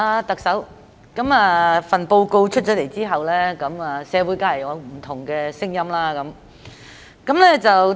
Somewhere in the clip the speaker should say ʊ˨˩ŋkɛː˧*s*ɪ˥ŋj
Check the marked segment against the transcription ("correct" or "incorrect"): correct